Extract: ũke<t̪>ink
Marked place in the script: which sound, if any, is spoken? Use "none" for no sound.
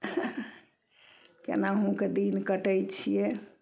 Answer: d̪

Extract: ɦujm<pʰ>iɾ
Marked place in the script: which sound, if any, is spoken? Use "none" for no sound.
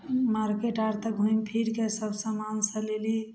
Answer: pʰ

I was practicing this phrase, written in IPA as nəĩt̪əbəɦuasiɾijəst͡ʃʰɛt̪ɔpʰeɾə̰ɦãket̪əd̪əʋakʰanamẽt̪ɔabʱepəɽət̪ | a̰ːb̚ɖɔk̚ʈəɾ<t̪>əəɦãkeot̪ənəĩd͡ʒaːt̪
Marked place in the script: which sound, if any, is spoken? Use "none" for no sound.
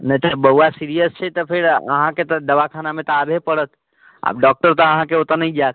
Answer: t̪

